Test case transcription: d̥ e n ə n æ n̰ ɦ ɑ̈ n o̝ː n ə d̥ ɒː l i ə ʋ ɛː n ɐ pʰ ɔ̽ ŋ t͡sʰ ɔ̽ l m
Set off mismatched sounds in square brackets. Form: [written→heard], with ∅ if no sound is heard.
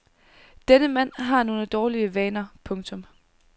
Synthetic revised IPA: d̥ e n ə [n→m] æ n̰ ɦ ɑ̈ n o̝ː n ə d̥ ɒː l i ə ʋ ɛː n ɐ pʰ ɔ̽ ŋ t͡sʰ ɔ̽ [l→∅] m